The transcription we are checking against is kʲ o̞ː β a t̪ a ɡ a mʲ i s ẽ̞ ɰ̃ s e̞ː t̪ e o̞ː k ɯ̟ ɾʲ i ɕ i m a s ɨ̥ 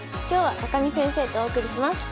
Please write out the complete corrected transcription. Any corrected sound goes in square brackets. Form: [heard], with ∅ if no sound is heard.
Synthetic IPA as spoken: kʲ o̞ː β a t̪ a [k] a mʲ i s ẽ̞ ɰ̃ s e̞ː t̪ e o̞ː k ɯ̟ ɾʲ i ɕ i m a s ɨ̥